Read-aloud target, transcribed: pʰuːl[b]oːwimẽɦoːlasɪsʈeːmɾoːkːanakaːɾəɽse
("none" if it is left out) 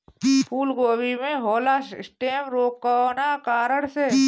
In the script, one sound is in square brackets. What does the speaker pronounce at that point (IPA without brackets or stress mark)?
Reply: ɡ